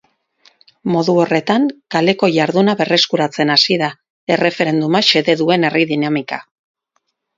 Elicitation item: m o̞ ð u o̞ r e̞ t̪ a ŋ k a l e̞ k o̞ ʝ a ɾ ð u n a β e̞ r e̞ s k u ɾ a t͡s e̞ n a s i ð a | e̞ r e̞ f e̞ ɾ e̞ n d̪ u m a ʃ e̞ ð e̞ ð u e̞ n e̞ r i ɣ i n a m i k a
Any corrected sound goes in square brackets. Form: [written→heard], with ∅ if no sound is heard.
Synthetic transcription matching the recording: m o̞ ð u o̞ r e̞ t̪ a ŋ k a l e̞ k o̞ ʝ a ɾ ð u n a β e̞ r e̞ s k u ɾ a t͡s e̞ n a s i ð a | e̞ r e̞ f e̞ ɾ e̞ n d̪ u m a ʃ e̞ ð e̞ ð u e̞ n e̞ r i [ɣ→ð] i n a m i k a